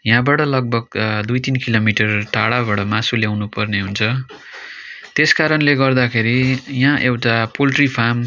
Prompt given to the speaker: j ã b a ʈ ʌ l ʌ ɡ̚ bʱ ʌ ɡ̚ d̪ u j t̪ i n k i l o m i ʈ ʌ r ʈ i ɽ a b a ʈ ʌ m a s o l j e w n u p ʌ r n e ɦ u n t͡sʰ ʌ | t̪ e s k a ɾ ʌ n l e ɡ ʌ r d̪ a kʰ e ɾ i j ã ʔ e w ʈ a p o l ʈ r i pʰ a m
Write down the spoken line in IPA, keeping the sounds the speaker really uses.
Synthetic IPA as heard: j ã b a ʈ ʌ l ʌ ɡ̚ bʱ ʌ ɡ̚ d̪ u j t̪ i n k i l o m i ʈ ʌ r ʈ a ɽ a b a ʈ ʌ m a s u l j a w n u p ʌ r n e ɦ u n t͡sʰ ʌ | t̪ e s k a ɾ ʌ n l e ɡ ʌ r d̪ a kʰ e ɾ i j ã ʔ e w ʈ a p o l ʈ r i pʰ a m